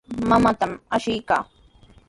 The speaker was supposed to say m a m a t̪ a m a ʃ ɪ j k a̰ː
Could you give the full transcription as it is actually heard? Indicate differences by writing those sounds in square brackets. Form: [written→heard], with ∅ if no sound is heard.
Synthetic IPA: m a m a t̪ a m a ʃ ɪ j k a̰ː